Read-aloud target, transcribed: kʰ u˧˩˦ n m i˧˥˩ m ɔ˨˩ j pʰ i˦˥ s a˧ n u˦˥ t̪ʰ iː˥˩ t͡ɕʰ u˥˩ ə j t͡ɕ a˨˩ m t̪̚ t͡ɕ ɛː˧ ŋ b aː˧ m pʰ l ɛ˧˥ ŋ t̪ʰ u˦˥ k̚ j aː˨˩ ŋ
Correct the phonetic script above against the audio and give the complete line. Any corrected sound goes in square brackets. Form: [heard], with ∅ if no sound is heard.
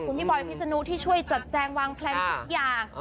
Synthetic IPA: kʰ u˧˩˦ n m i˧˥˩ [b] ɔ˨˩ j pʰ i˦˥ s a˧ n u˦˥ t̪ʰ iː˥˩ t͡ɕʰ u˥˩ ə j t͡ɕ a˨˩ [∅] t̪̚ t͡ɕ ɛː˧ ŋ [w] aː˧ [ŋ] pʰ l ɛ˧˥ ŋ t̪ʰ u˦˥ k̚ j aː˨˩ ŋ